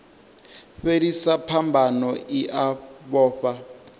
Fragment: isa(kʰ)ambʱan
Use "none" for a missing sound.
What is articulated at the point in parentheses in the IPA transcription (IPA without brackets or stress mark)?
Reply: pʰ